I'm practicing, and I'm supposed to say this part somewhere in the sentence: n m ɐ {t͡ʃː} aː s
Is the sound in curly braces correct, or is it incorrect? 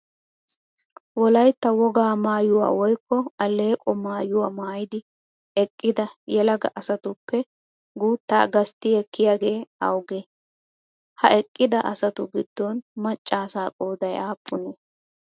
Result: incorrect